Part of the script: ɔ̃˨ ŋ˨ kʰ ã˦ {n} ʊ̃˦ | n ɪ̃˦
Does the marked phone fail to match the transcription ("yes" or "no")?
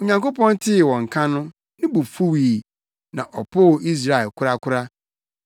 no